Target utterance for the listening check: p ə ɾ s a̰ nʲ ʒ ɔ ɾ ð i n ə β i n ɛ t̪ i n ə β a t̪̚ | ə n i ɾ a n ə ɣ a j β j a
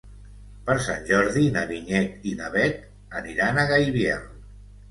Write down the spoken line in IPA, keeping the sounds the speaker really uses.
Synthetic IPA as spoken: p ə ɾ s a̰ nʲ ʒ ɔ ɾ ð i n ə β i ɲ ɛ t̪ i n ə β ɛ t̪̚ | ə n i ɾ a n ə ɣ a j β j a